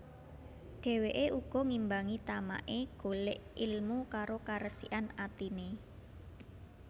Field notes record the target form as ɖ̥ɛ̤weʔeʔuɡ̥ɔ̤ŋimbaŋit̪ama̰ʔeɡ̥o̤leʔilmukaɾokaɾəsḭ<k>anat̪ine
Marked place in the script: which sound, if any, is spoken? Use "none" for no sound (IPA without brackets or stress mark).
ʔ